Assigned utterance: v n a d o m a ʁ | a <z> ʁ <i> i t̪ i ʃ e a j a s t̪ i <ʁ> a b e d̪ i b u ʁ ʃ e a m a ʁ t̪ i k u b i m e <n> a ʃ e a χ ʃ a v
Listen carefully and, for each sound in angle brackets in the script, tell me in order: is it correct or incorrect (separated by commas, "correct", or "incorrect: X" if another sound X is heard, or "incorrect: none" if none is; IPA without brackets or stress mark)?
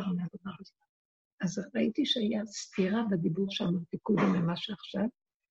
correct, incorrect: a, correct, incorrect: m